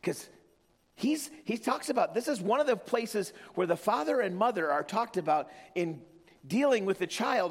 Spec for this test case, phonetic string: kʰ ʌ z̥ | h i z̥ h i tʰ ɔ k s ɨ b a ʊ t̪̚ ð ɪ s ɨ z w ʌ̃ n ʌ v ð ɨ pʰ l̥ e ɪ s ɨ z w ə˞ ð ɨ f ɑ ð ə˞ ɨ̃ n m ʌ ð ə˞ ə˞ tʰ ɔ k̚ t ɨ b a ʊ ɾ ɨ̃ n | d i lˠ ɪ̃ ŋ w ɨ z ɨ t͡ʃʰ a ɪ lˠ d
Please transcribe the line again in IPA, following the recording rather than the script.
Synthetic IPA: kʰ ʌ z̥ | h i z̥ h i tʰ ɔ k s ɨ b a ʊ t̪̚ ð ɪ s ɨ z w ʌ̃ n ʌ v ð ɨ pʰ l̥ e ɪ s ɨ z w ə˞ ð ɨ f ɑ ð ə˞ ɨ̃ n m ʌ ð ə˞ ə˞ tʰ ɔ k̚ t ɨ b a ʊ ɾ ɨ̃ n | d i lˠ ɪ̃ ŋ w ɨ ð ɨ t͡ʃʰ a ɪ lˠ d